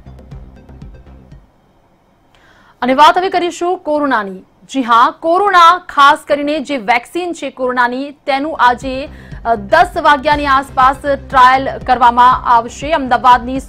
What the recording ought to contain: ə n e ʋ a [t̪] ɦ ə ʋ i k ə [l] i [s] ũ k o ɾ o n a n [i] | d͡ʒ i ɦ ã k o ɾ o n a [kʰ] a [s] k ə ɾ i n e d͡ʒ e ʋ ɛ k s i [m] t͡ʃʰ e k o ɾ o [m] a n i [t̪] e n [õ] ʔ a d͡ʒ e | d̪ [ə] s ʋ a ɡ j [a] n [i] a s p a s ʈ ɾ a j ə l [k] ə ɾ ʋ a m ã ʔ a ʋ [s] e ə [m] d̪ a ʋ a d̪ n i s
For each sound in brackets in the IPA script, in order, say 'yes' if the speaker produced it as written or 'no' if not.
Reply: yes, no, no, yes, yes, yes, no, no, yes, no, yes, yes, yes, yes, no, yes

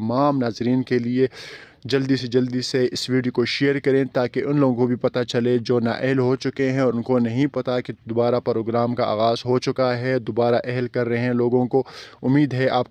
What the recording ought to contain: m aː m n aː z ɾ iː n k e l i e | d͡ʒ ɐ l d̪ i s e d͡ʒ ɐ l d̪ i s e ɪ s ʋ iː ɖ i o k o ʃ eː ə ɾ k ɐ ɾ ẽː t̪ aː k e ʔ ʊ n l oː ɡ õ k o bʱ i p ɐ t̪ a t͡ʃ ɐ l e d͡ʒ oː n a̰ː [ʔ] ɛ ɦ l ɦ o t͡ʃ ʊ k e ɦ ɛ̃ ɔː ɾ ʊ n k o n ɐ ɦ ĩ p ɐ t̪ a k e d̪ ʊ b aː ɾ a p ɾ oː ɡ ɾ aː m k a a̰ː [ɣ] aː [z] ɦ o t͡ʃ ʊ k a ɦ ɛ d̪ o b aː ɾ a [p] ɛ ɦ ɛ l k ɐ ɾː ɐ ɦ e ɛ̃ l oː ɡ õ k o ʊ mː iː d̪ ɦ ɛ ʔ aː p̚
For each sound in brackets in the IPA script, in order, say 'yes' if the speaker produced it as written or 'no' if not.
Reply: yes, yes, yes, no

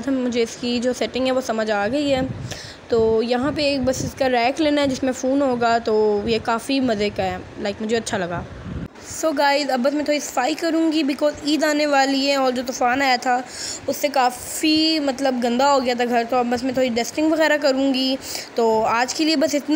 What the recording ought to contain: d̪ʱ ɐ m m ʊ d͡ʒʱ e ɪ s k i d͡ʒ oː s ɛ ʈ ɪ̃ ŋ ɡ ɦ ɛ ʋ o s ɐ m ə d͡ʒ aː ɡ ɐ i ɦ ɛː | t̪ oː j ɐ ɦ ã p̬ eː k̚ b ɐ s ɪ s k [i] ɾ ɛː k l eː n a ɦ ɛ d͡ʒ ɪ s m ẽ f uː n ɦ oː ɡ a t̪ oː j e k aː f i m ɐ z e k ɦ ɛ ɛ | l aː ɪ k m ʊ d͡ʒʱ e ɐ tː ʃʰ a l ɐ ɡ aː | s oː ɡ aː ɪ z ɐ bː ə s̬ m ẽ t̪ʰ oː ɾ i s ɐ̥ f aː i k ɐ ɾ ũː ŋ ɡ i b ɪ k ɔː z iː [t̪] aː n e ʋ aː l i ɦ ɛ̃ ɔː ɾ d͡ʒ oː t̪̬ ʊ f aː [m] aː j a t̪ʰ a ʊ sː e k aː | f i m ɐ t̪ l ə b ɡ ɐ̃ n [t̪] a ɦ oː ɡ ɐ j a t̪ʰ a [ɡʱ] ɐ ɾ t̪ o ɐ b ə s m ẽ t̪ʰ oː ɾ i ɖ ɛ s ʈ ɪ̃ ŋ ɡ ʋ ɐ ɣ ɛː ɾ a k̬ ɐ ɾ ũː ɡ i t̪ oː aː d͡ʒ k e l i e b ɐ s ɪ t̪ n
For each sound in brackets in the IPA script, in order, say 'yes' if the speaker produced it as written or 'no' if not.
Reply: no, no, no, no, yes

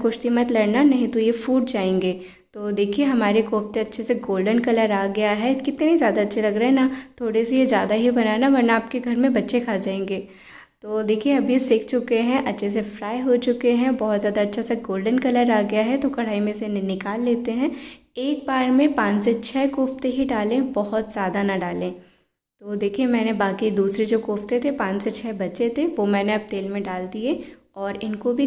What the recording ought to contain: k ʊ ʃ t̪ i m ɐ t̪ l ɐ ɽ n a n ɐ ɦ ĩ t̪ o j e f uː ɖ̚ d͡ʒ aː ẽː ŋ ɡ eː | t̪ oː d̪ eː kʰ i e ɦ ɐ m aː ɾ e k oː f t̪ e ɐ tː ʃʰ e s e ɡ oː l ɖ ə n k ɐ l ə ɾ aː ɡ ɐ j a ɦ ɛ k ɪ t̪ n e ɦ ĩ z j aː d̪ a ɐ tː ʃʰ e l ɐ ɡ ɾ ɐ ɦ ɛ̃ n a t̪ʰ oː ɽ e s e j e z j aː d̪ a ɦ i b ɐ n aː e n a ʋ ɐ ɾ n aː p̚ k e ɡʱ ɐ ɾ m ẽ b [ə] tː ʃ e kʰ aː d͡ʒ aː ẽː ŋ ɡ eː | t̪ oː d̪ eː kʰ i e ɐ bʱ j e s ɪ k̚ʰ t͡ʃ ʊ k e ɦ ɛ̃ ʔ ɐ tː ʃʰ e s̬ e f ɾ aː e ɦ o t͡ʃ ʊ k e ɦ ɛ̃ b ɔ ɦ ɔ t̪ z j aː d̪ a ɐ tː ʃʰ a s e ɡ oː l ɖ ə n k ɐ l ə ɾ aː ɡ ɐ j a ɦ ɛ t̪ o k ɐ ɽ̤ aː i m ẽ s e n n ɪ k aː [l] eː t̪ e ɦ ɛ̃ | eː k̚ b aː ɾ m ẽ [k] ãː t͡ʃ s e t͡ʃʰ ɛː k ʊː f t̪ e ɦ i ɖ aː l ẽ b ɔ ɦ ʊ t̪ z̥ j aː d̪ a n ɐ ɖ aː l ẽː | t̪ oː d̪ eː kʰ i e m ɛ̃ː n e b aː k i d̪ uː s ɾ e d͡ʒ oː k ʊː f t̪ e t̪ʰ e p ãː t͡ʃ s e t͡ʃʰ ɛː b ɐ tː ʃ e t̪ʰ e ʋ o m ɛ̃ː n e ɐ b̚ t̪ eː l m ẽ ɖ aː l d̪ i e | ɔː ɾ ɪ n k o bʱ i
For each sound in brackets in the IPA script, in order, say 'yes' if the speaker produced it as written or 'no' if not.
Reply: no, no, no

